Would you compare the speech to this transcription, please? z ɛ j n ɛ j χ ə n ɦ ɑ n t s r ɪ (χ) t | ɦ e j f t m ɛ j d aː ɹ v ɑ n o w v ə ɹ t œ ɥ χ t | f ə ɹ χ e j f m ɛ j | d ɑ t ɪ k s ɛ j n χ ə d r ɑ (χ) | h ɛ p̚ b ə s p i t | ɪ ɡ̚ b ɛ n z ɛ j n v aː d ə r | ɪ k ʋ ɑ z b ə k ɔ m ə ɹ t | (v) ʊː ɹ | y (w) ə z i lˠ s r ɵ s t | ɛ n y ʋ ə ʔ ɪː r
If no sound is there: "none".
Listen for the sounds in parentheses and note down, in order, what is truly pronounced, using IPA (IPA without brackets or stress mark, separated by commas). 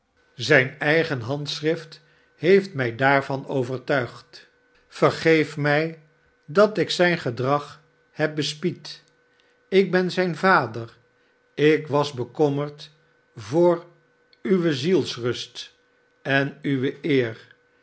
f, χ, v, ʋ